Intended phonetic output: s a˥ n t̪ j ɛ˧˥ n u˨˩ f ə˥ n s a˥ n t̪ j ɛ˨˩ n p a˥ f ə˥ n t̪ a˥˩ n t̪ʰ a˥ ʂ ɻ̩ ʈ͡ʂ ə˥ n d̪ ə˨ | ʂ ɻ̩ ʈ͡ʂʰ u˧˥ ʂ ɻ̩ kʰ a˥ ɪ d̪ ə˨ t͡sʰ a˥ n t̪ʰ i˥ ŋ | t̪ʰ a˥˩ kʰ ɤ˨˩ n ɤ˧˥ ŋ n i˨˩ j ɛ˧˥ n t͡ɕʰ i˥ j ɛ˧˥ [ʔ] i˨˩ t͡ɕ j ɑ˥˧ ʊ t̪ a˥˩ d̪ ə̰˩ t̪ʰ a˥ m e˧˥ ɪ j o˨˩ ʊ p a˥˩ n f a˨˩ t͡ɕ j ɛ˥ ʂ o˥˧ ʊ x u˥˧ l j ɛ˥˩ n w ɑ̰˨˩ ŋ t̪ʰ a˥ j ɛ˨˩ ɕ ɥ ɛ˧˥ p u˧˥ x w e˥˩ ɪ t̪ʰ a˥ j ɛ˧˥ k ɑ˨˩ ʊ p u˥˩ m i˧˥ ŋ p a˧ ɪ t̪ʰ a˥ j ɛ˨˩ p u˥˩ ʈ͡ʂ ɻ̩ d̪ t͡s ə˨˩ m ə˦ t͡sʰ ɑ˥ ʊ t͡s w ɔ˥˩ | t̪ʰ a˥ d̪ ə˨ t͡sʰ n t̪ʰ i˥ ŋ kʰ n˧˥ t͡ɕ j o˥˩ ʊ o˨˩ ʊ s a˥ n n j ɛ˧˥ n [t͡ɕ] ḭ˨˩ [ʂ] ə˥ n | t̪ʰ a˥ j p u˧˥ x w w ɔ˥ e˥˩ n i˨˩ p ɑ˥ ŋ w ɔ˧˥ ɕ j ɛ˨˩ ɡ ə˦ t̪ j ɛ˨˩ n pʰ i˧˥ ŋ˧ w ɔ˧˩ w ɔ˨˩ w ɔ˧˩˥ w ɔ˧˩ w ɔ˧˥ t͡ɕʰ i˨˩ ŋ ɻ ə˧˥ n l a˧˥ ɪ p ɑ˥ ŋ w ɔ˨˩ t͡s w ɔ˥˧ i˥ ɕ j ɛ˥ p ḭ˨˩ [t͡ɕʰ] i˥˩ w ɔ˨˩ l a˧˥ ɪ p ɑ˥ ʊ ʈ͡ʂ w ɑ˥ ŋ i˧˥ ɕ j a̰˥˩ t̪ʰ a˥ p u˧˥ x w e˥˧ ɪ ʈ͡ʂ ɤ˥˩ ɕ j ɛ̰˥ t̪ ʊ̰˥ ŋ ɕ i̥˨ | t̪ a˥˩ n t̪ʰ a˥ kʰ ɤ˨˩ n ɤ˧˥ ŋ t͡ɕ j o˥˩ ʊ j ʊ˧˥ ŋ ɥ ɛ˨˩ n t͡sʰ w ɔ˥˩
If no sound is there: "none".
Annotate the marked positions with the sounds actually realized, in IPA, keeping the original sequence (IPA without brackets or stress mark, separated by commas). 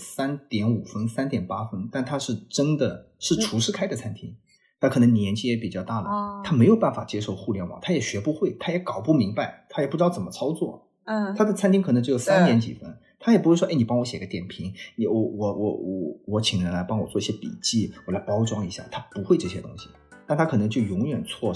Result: p, t͡ɕ, f, t͡ɕ